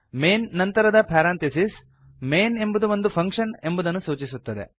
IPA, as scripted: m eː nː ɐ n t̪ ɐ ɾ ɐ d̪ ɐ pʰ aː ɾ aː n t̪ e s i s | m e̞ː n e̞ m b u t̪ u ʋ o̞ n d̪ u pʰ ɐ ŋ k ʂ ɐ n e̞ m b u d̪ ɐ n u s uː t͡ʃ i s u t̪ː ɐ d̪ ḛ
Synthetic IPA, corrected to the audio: m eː nː ɐ n t̪ ɐ ɾ ɐ d̪ ɐ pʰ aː ɾ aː n t̪ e s i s | m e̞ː n e̞ m b u d̪ u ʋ o̞ n d̪ u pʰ ɐ ŋ k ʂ ɐ n e̞ m b u d̪ ɐ nː u s uː t͡ʃ i s u t̪ː ɐ d̪ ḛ